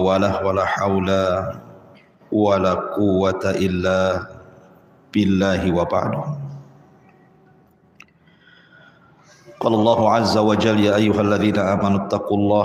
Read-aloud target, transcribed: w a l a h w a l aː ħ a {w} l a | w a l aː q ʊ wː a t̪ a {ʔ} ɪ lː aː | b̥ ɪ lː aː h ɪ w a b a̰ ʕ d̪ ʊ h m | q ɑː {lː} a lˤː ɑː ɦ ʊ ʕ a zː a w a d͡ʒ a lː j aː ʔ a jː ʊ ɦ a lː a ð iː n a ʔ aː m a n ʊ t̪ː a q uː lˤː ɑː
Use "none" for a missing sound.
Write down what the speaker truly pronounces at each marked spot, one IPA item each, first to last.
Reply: w, ʔ, l

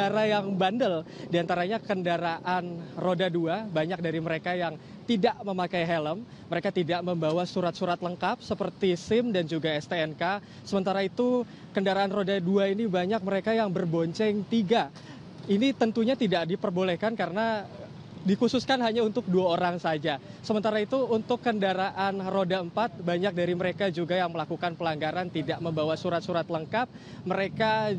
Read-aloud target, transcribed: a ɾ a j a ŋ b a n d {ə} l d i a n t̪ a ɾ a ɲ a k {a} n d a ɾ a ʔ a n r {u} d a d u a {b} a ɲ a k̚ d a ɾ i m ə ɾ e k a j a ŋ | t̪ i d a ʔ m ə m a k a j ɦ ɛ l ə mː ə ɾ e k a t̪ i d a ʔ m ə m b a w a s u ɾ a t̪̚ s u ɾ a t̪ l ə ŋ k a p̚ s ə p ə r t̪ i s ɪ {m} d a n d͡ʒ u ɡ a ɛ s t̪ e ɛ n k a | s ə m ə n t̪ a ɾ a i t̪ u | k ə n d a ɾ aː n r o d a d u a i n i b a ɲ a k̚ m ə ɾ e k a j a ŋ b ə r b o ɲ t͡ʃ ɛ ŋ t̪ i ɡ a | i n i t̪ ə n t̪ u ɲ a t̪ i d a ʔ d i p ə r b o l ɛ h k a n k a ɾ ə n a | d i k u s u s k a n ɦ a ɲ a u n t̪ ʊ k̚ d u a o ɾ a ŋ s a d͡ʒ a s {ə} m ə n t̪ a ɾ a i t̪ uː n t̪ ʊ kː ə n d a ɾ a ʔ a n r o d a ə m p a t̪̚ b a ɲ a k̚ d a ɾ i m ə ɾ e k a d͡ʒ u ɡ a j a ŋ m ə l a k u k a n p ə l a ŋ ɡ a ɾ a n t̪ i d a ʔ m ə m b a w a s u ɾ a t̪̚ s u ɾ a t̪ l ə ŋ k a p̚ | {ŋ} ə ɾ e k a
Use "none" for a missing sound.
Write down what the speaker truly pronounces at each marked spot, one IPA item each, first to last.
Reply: ə, ə, o, b, m, ə, m

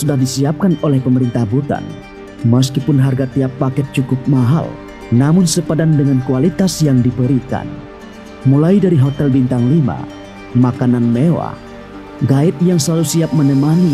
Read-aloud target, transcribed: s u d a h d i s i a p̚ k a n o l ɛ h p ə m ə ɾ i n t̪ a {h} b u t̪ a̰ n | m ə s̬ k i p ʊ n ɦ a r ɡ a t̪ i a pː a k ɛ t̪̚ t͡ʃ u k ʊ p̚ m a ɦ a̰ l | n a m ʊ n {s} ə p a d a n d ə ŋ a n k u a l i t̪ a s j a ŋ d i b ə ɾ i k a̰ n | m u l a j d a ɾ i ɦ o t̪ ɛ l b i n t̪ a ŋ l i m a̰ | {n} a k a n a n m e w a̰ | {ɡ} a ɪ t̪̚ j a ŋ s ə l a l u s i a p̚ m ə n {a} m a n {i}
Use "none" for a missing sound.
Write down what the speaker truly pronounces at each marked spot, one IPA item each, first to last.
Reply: h, s, m, ɡ, ə, i

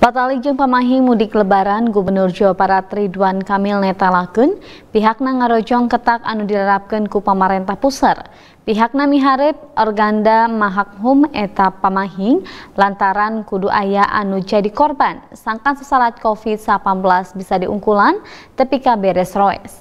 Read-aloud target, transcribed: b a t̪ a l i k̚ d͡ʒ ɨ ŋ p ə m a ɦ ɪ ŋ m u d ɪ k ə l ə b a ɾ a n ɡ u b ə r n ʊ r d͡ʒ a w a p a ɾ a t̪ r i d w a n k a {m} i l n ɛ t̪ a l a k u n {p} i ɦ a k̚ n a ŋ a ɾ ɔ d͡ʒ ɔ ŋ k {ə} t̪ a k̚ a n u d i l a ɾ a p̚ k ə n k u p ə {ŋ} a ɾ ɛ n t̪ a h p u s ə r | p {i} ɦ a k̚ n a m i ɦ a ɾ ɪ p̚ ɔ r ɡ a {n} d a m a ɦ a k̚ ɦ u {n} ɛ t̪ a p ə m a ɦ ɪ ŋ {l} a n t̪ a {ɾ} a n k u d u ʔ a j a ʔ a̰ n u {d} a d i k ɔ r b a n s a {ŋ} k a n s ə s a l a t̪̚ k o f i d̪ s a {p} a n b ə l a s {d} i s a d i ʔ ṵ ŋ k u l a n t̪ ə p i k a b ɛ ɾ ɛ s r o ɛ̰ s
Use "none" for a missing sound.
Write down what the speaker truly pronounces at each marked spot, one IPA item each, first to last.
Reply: m, p, ə, m, i, n, m, l, ɾ, d͡ʒ, ŋ, p, b

